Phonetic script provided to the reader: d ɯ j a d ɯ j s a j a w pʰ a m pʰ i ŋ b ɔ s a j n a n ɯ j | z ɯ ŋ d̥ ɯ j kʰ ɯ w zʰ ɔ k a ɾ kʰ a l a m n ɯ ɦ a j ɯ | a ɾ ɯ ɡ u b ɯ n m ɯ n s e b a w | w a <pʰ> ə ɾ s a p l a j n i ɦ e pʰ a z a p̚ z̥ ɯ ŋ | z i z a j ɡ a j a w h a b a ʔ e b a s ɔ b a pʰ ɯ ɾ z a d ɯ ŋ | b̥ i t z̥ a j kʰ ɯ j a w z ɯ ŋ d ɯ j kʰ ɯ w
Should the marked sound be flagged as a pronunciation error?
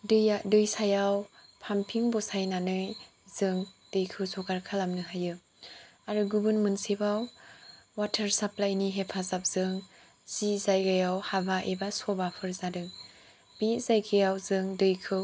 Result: yes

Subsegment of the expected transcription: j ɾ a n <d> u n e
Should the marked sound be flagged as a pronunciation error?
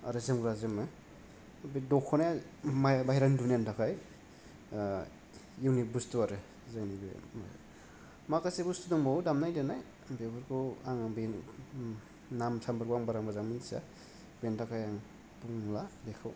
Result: no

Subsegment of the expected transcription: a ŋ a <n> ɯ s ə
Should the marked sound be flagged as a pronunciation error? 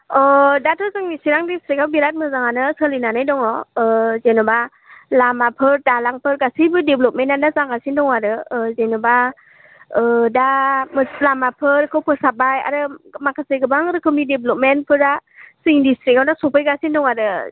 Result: no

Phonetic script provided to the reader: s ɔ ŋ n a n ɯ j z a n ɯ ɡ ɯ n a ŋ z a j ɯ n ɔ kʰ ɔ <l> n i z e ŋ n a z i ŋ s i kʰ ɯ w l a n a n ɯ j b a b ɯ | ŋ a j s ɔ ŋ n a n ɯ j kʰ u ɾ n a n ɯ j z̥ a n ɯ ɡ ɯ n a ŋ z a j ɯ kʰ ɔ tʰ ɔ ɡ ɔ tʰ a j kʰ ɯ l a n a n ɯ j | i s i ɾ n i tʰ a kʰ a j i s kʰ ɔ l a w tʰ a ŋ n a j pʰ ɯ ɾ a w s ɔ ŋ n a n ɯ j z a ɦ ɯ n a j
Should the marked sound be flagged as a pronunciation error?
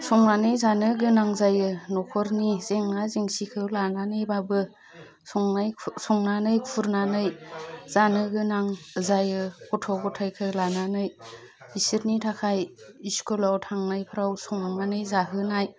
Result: yes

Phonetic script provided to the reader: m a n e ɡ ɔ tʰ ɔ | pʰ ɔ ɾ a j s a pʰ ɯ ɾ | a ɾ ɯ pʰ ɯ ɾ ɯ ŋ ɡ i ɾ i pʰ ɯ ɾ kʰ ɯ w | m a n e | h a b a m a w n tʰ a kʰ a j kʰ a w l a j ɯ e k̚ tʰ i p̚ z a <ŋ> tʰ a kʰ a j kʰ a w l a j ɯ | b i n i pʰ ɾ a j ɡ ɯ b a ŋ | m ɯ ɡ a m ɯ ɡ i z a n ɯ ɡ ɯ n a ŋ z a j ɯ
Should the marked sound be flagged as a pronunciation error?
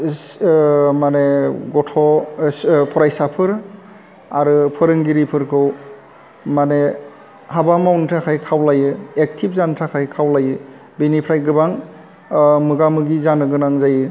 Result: yes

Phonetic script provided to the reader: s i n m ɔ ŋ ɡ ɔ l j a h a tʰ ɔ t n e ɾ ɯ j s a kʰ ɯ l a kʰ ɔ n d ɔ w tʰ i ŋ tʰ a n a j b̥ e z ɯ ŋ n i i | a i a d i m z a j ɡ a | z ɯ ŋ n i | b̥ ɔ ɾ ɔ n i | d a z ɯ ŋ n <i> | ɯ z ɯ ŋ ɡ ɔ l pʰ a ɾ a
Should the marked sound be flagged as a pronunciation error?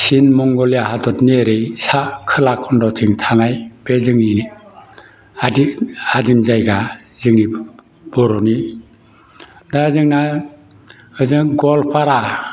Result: yes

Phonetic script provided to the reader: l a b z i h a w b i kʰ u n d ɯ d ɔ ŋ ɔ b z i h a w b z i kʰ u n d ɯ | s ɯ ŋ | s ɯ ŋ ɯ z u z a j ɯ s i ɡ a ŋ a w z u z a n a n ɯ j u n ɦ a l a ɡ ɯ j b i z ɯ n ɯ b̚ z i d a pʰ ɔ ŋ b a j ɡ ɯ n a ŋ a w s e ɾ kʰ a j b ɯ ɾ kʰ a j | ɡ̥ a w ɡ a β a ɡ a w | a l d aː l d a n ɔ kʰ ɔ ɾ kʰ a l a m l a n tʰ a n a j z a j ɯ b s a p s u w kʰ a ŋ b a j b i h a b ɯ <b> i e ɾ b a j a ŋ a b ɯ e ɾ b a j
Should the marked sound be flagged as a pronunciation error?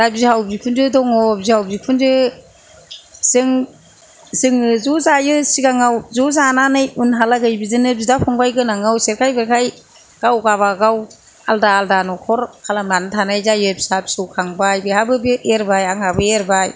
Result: no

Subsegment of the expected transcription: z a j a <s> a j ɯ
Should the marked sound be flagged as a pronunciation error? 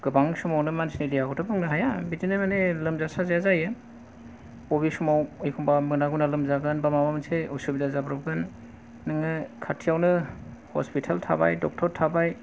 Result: yes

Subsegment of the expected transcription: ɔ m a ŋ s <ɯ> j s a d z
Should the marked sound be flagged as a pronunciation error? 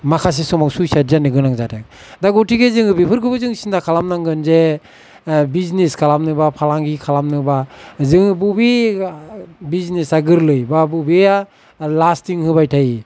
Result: yes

